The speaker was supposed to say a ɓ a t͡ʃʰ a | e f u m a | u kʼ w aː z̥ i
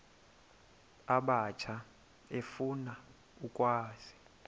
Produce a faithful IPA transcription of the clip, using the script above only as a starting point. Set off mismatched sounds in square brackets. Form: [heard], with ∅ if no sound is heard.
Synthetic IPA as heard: a ɓ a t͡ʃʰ a | e f u [n] a | u kʼ w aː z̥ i